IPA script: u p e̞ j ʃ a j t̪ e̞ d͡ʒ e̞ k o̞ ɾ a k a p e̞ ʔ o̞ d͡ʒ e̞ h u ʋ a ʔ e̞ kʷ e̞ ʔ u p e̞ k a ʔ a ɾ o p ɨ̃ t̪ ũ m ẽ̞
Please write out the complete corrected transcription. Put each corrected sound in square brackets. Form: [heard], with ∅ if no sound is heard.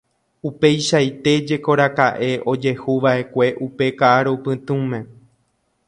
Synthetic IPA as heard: u p e̞ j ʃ a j t̪ e̞ d͡ʒ e̞ k o̞ ɾ a k a [ʔ] e̞ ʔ o̞ d͡ʒ e̞ h u ʋ a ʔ e̞ kʷ e̞ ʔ u p e̞ k a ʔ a ɾ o p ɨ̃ t̪ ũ m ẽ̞